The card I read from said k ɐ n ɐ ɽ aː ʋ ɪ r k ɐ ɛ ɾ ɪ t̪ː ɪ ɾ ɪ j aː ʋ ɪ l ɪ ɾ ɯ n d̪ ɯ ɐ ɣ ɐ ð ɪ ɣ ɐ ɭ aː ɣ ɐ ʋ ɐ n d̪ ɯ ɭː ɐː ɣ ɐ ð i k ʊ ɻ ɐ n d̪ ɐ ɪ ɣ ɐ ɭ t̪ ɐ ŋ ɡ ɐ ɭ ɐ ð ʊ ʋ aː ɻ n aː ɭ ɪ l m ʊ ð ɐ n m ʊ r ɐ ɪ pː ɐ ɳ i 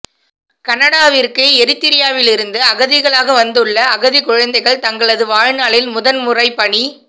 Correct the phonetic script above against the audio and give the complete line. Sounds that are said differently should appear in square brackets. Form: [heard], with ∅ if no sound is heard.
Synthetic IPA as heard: k ɐ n ɐ ɽ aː ʋ ɪ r k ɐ ɛ ɾ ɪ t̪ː ɪ ɾ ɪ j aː ʋ ɪ l ɪ ɾ ɯ n d̪ ɯ ɐ ɣ ɐ ð ɪ ɣ ɐ ɭ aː ɣ ɐ ʋ ɐ n d̪ ɯ ɭː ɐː ɣ ɐ ð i k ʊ ɻ ɐ n d̪ ɐ ɪ ɣ ɐ ɭ t̪ ɐ ŋ ɡ ɐ ɭ ɐ ð [ɯ] ʋ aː ɻ n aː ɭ ɪ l m ʊ ð ɐ n m ʊ r ɐ ɪ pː ɐ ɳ i